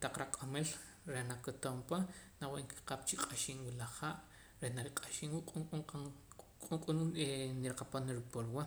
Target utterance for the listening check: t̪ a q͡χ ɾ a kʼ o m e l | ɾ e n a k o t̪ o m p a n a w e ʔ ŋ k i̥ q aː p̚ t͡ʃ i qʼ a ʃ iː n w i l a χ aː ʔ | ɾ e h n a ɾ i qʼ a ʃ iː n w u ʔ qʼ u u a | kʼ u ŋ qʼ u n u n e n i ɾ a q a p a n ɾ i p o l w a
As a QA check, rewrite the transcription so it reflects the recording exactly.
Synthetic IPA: t̪ a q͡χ ɾ a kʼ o m e l | ɾ e n a k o t̪ o m p a n a w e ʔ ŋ k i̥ q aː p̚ t͡ʃ i qʼ a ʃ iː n w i l a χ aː ʔ | ɾ e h n a ɾ i qʼ a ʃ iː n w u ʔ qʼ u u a | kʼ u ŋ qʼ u n u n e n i ɾ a q a p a n ɾ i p o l w a